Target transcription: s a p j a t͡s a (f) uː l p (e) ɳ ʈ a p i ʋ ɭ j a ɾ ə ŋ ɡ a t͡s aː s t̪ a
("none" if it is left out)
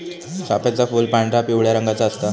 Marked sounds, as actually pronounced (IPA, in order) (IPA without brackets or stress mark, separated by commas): f, a